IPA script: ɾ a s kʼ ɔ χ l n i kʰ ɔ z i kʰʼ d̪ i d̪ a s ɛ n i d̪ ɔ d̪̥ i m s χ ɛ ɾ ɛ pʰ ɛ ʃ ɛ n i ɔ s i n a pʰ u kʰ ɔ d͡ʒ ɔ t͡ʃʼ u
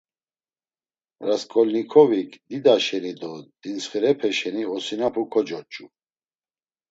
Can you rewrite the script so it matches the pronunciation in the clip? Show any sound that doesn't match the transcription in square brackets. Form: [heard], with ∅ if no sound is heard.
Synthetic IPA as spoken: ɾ a s kʼ ɔ [∅] l n i kʰ ɔ [v] i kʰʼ d̪ i d̪ a [ʃ] ɛ n i d̪ ɔ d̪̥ i [n] s χ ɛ ɾ ɛ pʰ ɛ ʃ ɛ n i ɔ s i n a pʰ u kʰ ɔ d͡ʒ ɔ t͡ʃʼ u